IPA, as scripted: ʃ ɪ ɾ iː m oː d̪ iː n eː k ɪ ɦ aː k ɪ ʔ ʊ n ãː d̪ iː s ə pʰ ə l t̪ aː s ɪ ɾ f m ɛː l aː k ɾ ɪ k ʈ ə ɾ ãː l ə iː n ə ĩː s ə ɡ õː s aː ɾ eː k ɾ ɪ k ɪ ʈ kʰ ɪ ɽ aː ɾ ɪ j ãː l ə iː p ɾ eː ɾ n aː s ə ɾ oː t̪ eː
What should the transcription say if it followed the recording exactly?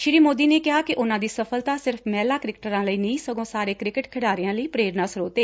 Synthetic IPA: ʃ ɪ ɾ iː m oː d̪ iː n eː k ɪ ɦ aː k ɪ ʔ ʊ n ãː d̪ iː s ə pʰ ə l t̪ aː s ɪ ɾ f m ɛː l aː k ɾ ɪ k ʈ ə ɾ ãː l ə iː n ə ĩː s ə ɡ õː s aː ɾ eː k ɾ ɪ k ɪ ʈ kʰ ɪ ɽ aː ɾ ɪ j ãː l ə iː p ɾ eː ɾ n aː s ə ɾ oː t̪ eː